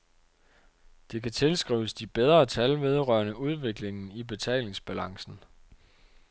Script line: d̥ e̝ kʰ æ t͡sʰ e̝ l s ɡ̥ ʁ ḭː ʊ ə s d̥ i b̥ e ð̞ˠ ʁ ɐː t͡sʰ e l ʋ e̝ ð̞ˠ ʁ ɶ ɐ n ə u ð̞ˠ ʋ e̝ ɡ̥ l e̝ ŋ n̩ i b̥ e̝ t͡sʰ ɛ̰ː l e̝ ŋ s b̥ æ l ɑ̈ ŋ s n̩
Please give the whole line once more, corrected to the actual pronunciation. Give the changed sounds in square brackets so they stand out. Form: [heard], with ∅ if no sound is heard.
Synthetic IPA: d̥ e̝ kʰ æ t͡sʰ e̝ l s ɡ̥ ʁ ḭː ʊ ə s d̥ i b̥ e ð̞ˠ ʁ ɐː t͡sʰ [æ] l ʋ e̝ ð̞ˠ ʁ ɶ ɐ n ə u ð̞ˠ ʋ e̝ ɡ̥ l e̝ ŋ n̩ i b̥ e̝ t͡sʰ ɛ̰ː l e̝ ŋ s b̥ æ l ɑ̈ ŋ s n̩